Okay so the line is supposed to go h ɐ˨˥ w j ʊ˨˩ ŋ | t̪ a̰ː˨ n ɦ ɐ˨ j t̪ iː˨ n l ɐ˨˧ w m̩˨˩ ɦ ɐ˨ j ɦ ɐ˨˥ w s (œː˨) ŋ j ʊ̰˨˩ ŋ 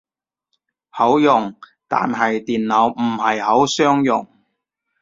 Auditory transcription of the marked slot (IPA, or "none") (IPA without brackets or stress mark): œː˥